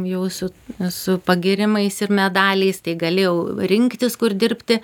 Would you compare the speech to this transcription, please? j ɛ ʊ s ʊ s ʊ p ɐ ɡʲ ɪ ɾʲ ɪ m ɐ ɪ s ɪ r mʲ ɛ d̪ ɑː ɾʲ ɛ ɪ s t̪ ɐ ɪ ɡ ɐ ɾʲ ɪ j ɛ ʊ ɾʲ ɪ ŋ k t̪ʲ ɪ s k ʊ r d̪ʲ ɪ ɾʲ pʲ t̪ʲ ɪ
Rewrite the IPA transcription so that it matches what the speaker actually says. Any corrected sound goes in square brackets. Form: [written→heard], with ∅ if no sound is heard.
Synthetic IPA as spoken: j ɛ ʊ s ʊ s ʊ p ɐ ɡʲ ɪ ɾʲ ɪ m ɐ ɪ s ɪ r mʲ ɛ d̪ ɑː [ɾʲ→lʲ] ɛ ɪ s t̪ ɐ ɪ ɡ ɐ [ɾʲ→lʲ] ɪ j ɛ ʊ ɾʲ ɪ ŋ k t̪ʲ ɪ s k ʊ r d̪ʲ ɪ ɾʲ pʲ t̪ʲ ɪ